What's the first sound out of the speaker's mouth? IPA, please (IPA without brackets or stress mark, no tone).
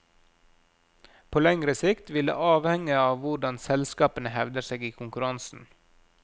pʰ